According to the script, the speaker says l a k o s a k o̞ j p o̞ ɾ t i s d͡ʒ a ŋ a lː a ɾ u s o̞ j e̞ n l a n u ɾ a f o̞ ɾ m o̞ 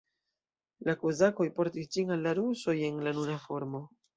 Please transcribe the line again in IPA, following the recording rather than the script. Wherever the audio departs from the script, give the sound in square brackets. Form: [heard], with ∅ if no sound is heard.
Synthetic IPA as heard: l a k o [z] a k o̞ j p o̞ ɾ t i s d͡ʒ [i] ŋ a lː a ɾ u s o̞ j e̞ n l a n u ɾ a f o̞ ɾ m o̞